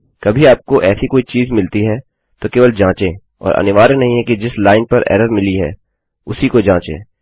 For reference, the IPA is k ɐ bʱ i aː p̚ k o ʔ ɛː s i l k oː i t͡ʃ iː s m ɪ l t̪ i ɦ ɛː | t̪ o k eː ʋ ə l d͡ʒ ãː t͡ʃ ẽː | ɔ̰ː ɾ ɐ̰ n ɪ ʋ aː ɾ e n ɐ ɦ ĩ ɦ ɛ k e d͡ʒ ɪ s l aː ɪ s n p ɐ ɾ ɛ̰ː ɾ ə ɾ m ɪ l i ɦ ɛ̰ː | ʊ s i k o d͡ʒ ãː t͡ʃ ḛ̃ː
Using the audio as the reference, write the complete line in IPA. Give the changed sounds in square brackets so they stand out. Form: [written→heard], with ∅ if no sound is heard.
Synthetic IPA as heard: k ɐ bʱ i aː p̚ k o ʔ ɛː s i [l→∅] k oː i t͡ʃ iː [s→z] m ɪ l t̪ i ɦ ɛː | t̪ o k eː ʋ ə l d͡ʒ ãː t͡ʃ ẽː | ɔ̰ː ɾ ɐ̰ n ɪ ʋ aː ɾ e n ɐ ɦ ĩ ɦ ɛ k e d͡ʒ ɪ s l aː ɪ [s→∅] n p ɐ ɾ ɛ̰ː ɾ ə ɾ m ɪ l i ɦ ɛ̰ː | ʊ s i k o d͡ʒ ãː t͡ʃ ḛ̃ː